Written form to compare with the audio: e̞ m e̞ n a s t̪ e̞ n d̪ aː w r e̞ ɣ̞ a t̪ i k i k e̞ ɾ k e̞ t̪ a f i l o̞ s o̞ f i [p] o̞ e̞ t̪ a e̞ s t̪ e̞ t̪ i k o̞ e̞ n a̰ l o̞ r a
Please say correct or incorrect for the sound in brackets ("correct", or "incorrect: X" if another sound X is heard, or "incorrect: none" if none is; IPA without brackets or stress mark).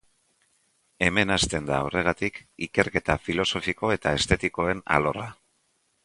incorrect: k